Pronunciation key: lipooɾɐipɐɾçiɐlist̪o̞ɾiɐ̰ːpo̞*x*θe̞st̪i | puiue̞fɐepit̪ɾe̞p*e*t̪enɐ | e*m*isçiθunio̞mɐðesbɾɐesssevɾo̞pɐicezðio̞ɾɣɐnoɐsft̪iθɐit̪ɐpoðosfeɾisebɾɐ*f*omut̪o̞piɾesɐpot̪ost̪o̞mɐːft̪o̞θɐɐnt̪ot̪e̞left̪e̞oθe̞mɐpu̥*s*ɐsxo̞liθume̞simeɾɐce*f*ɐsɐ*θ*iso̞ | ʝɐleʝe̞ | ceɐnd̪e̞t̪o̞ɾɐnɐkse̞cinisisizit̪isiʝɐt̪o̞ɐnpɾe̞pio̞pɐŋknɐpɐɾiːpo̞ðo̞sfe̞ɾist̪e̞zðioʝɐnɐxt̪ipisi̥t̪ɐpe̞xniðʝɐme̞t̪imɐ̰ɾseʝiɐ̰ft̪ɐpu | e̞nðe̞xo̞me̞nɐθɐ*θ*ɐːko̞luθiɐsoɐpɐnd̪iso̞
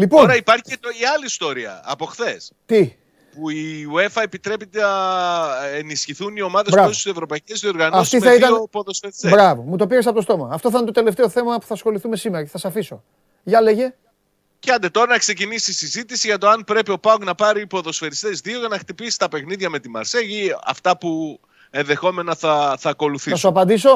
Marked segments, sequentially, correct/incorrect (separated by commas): correct, incorrect, incorrect, incorrect, incorrect, incorrect, incorrect, correct